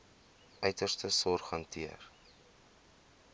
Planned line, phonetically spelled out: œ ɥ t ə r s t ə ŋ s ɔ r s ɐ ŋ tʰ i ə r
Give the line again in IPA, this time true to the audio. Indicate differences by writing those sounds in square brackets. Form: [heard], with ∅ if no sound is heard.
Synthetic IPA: œ ɥ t ə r s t ə [∅] s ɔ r [χ] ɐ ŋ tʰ i ə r

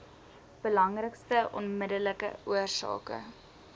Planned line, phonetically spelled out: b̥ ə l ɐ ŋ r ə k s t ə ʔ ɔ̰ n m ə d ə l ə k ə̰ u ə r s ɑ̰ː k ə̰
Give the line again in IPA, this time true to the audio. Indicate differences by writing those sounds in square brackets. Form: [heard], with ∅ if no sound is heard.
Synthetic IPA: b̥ ə l ɐ ŋ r ə k s t ə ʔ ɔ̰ n m ə d ə l ə k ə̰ u ə r s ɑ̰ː k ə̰

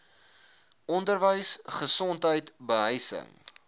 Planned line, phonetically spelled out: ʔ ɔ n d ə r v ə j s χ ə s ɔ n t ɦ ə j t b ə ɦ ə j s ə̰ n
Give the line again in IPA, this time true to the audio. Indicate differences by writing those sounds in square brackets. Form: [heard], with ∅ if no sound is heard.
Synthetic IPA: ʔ ɔ n d ə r v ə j s χ ə s ɔ n t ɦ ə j t b ə ɦ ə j s ə̰ [ŋ]

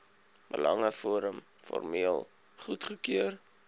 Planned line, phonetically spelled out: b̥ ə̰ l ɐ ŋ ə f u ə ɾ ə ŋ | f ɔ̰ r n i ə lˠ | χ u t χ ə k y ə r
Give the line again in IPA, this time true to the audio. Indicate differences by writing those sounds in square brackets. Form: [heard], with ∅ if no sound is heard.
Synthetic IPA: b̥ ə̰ l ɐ ŋ ə f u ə ɾ ə [m] | f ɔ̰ r [m] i ə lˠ | χ u t χ ə k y ə r

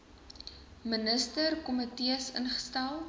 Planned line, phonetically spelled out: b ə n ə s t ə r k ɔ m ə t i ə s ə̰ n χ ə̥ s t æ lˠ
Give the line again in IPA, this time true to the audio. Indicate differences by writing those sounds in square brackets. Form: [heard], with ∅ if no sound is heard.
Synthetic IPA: [m] ə n ə s t ə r k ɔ m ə t i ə s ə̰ n χ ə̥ s t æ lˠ

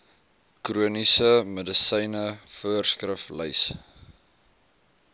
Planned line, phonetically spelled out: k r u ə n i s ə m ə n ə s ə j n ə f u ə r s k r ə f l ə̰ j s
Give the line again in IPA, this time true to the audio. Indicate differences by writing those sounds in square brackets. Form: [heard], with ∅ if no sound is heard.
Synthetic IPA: k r u ə n i s ə m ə [d] ə s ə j n ə f u ə r s k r ə f l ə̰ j s

